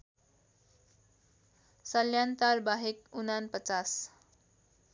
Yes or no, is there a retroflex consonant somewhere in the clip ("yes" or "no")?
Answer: no